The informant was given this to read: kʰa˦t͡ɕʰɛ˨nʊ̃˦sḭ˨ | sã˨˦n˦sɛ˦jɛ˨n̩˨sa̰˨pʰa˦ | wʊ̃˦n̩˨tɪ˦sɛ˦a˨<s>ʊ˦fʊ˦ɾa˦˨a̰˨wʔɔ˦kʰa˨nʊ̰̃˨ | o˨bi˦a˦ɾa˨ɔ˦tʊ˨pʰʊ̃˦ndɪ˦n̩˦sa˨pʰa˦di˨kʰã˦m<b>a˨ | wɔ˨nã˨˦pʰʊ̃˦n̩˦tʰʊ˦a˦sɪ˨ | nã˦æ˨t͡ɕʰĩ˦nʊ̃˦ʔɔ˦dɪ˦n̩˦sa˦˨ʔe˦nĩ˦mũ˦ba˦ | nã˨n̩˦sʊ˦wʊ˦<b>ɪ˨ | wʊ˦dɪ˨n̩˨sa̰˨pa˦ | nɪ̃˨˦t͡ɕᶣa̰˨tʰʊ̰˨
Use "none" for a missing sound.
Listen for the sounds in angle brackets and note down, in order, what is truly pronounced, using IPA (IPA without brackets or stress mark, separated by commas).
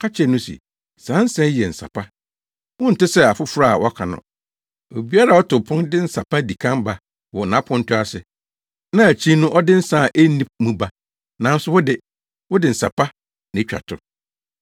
f, b, d